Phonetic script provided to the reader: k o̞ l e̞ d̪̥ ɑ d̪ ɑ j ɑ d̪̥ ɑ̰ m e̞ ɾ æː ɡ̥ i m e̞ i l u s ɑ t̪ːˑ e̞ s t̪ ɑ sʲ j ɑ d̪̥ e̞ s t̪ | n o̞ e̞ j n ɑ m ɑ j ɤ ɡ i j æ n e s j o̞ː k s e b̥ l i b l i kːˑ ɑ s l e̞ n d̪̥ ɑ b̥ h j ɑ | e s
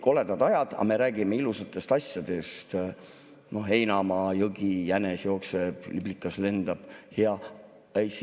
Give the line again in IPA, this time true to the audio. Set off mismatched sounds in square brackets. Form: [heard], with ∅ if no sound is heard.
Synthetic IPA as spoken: k o̞ l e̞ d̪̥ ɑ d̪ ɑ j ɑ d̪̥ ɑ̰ m e̞ ɾ æː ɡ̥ i m e̞ i l u s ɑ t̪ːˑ e̞ s t̪ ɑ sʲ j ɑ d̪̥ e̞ s t̪ | n o̞ e̞ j n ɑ m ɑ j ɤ ɡ i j æ n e s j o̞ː k s e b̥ l i b l i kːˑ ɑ s l e̞ n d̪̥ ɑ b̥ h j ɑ | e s